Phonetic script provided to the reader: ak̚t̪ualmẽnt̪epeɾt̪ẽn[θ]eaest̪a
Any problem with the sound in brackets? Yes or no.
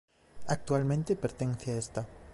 no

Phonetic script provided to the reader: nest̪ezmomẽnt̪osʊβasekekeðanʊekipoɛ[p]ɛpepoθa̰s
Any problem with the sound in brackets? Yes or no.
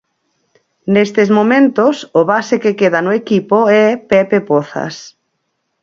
no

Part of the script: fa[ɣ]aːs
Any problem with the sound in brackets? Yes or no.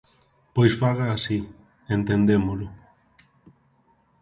no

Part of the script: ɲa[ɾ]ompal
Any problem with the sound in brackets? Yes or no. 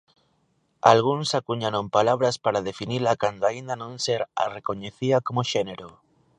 no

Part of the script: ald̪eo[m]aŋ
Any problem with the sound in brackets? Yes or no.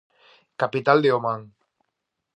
no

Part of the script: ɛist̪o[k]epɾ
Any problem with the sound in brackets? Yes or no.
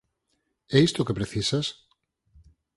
no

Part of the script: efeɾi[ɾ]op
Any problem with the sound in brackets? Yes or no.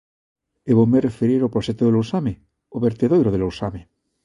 no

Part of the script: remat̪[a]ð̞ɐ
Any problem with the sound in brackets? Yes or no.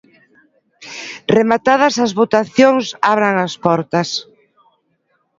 no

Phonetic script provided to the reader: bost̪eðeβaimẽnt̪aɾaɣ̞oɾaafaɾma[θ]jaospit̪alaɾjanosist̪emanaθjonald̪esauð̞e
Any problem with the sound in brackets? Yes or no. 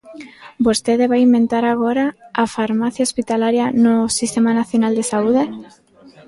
no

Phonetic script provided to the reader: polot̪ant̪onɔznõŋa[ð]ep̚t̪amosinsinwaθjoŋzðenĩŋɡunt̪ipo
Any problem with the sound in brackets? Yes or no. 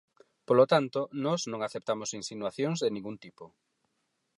yes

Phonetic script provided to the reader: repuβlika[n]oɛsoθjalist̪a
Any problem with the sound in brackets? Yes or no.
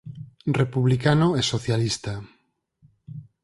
no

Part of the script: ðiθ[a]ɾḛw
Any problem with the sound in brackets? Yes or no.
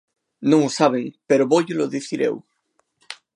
yes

